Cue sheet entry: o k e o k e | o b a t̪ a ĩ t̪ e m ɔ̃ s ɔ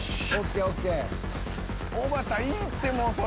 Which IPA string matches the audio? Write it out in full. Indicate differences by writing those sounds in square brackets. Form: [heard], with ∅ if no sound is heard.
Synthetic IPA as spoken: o k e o k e | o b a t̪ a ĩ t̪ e m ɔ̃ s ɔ